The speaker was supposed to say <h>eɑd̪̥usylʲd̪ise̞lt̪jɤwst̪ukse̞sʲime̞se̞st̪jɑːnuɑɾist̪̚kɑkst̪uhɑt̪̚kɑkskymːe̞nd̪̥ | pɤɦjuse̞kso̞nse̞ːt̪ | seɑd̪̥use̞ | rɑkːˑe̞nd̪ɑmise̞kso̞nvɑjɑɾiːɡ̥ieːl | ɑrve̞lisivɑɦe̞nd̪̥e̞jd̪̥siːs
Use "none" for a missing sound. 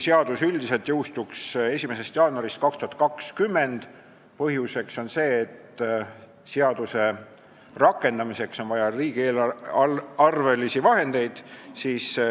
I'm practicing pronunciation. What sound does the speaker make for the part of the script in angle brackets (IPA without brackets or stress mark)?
s